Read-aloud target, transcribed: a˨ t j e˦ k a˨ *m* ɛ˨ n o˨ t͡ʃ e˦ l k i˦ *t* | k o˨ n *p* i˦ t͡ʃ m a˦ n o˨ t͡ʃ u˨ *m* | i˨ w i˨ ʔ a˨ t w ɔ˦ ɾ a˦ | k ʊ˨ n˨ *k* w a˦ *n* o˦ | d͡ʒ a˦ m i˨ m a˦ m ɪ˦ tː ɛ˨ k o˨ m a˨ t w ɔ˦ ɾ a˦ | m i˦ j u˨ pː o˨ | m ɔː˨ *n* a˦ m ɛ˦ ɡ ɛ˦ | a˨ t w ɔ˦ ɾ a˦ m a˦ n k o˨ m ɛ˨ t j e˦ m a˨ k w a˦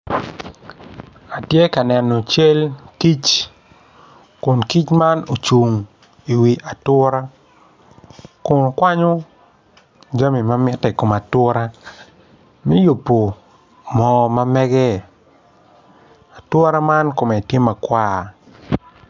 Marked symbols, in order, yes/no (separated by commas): no, no, no, no, yes, no, no